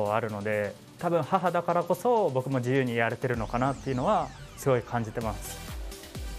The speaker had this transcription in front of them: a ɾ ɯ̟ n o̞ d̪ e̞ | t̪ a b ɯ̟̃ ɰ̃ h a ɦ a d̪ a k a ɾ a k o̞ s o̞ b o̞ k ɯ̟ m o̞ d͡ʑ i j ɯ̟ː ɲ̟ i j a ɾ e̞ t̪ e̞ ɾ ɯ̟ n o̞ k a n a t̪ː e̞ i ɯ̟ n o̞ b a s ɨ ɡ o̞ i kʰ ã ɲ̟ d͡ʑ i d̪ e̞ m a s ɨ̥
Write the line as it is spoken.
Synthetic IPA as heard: a ɾ ɯ̟ n o̞ d̪ e̞ | t̪ a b ɯ̟̃ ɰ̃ h a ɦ a d̪ a k a ɾ a k o̞ s o̞ b o̞ k ɯ̟ m o̞ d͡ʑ i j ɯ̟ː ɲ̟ i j a ɾ e̞ t̪ e̞ ɾ ɯ̟ n o̞ k a n a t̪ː e̞ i ɯ̟ n o̞ β a s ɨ ɡ o̞ i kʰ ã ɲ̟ d͡ʑ i t̪ e̞ m a s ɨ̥